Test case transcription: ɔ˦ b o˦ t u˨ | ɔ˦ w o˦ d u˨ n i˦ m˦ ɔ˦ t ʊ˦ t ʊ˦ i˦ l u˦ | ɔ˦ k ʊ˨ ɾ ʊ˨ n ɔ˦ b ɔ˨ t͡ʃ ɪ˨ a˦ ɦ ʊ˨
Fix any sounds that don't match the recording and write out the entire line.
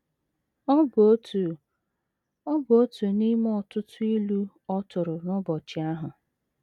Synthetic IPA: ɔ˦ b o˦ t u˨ | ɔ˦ b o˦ t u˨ n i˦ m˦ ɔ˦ t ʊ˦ t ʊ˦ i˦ l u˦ | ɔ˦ t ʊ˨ ɾ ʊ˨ n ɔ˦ b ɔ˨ t͡ʃ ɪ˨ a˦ ɦ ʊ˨